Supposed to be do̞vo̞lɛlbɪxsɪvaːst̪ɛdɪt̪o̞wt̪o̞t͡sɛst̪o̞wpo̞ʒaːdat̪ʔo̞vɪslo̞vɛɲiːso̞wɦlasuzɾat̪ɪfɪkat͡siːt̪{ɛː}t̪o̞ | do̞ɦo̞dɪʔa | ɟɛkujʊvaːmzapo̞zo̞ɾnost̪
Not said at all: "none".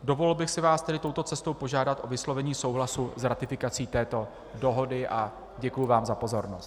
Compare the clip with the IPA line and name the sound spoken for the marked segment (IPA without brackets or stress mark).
ɛː